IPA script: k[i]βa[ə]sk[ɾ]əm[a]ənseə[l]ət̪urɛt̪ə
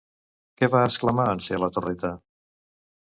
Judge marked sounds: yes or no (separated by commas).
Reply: no, yes, no, yes, yes